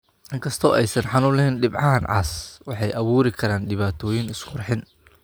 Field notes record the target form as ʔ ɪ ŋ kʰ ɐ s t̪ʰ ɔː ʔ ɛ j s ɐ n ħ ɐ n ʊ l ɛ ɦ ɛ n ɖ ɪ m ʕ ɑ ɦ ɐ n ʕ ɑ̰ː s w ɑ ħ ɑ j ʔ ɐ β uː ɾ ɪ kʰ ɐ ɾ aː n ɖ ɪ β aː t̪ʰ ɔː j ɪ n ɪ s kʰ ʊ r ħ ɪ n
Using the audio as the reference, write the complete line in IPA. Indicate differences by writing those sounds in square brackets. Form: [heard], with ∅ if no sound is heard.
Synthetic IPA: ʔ ɪ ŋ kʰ ɐ s t̪ʰ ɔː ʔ ɛ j s ɐ n ħ [ɑ] n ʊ l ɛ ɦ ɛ n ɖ ɪ [b] ʕ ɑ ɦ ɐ n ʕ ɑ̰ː s w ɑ ħ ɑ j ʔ ɐ β uː ɾ ɪ kʰ ɐ ɾ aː n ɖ ɪ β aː t̪ʰ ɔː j ɪ n ɪ s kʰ ʊ r ħ ɪ n

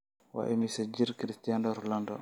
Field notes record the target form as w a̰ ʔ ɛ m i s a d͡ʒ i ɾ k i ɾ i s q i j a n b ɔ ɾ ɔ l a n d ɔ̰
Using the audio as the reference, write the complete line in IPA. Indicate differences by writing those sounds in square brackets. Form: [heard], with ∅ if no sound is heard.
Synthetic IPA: w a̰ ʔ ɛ m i s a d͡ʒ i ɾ k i ɾ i s [t] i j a n [d] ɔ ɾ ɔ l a n d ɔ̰

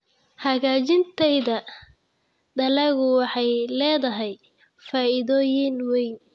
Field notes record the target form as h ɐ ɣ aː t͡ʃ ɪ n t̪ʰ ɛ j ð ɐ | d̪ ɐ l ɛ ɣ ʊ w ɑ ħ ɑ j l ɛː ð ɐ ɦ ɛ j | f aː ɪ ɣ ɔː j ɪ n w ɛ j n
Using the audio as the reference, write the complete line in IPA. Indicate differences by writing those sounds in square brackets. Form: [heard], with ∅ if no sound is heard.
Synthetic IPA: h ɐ ɣ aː t͡ʃ ɪ n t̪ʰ ɛ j ð ɐ | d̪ ɐ l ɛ ɣ ʊ w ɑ ħ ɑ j l ɛː ð ɐ ɦ ɛ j | f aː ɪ [ð] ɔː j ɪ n w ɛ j n

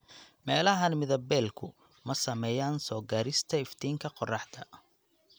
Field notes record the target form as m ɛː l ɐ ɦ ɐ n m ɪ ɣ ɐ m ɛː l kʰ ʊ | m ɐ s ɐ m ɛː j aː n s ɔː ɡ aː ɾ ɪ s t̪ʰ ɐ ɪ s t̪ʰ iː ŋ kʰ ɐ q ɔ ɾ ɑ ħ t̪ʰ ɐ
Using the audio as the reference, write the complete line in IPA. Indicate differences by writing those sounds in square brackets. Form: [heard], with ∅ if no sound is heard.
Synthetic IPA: m ɛː l ɐ ɦ ɐ n m ɪ [ð] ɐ [b] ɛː l kʰ ʊ | m ɐ s ɐ m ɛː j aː n s ɔː ɡ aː ɾ ɪ s t̪ʰ ɐ ɪ [f] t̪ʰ iː ŋ kʰ ɐ q ɔ [r] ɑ ħ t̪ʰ ɐ

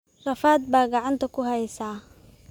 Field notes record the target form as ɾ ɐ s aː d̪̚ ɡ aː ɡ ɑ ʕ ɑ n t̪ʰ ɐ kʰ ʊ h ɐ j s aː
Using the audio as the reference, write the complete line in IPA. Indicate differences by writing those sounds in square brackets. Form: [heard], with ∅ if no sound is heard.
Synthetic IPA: [r] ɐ [f] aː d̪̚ [b] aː ɡ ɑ ʕ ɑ n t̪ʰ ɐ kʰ ʊ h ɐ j s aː

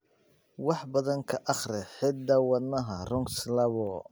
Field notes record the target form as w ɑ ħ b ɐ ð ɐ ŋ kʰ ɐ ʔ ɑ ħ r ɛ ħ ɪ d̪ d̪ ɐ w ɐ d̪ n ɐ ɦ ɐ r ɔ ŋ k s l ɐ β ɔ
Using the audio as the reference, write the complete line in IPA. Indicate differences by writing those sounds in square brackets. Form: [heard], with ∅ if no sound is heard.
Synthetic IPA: w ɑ ħ b ɐ ð ɐ ŋ kʰ ɐ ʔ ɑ [χ] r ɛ ħ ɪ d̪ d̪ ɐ w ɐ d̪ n ɐ ɦ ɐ r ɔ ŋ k s l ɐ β ɔ

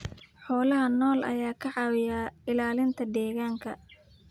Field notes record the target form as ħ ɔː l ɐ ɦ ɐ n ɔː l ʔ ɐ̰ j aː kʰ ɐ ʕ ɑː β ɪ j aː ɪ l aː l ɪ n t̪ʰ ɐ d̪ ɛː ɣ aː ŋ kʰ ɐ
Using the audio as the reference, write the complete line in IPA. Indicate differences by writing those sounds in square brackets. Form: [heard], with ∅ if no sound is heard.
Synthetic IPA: ħ ɔː l ɐ ɦ ɐ n ɔː l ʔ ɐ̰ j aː kʰ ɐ ʕ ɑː [w] ɪ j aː ɪ l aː l ɪ n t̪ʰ ɐ d̪ ɛː ɣ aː ŋ kʰ ɐ

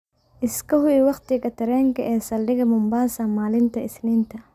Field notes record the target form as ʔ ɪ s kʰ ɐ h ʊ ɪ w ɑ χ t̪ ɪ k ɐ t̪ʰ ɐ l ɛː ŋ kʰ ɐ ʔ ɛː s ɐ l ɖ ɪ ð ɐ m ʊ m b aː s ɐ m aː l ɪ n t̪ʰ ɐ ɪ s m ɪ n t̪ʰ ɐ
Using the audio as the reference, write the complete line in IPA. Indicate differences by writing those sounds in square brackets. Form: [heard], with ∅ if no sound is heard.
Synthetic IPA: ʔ ɪ s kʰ ɐ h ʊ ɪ w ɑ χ t̪ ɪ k ɐ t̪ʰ ɐ [ɾ] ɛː ŋ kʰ ɐ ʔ ɛː s ɐ l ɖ ɪ [ɣ] ɐ m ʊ m b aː s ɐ m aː l ɪ n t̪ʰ ɐ ɪ s [n] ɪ n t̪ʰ ɐ

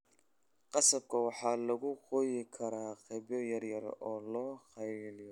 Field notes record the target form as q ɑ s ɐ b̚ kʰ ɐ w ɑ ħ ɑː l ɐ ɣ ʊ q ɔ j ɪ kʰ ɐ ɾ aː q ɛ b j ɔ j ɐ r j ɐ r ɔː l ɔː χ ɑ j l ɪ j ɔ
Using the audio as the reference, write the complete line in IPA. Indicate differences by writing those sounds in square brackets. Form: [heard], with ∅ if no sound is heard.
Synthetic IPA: q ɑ s ɐ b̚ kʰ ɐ w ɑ ħ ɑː l ɐ ɣ ʊ q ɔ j ɪ kʰ ɐ ɾ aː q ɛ b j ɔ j ɐ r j ɐ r ɔː l ɔː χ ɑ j l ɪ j ɔ

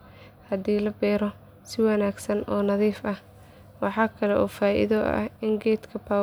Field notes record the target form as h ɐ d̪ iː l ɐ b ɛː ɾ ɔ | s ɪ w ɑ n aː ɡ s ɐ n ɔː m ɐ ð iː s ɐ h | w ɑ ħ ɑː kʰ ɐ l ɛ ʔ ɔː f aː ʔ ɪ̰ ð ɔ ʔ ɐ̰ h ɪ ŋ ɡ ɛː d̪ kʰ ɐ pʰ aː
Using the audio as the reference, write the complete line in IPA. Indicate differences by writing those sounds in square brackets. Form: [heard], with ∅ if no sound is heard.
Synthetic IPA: h ɐ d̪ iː l ɐ b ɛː ɾ ɔ | s ɪ w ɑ n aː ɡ s ɐ n ɔː [n] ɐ ð iː [f] ɐ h | w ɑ ħ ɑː kʰ ɐ l ɛ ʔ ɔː f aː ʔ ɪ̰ ð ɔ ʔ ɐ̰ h ɪ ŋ ɡ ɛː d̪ kʰ ɐ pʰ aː

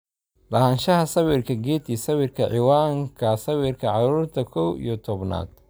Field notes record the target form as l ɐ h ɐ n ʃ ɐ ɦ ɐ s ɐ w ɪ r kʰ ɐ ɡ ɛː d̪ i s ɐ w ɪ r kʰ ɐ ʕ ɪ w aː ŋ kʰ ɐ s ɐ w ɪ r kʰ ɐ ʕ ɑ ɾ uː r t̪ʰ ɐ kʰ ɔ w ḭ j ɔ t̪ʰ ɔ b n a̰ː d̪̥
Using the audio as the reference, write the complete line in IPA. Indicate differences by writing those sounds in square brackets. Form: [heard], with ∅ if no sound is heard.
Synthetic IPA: l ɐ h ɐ n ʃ ɐ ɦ ɐ s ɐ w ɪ r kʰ ɐ ɡ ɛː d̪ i s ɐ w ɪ r kʰ ɐ ʕ ɪ w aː ŋ kʰ ɐ s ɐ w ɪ r kʰ ɐ ʕ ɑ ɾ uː r t̪ʰ ɐ kʰ ɔ w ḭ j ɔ t̪ʰ ɔ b n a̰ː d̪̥

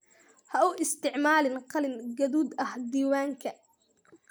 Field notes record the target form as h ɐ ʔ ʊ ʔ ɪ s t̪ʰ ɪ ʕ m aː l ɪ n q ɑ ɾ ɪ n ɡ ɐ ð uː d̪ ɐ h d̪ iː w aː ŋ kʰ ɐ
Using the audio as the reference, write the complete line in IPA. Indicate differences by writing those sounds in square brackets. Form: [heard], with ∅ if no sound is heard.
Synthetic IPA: h ɐ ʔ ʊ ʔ ɪ s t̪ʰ ɪ ʕ m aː l ɪ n q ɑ [l] ɪ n ɡ ɐ ð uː d̪ ɐ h d̪ iː w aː ŋ kʰ ɐ

